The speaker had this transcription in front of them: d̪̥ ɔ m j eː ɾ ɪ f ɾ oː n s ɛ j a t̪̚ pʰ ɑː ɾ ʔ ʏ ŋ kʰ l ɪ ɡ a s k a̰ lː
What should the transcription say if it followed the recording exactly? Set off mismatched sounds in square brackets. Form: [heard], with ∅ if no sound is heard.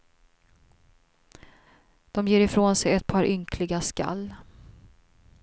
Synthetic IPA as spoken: d̪̥ ɔ m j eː ɾ ɪ f ɾ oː n s ɛ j [ɛ] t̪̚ pʰ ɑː ɾ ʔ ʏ ŋ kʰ l ɪ ɡ a s k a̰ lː